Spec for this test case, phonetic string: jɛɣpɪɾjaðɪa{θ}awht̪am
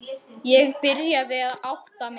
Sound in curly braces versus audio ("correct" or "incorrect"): incorrect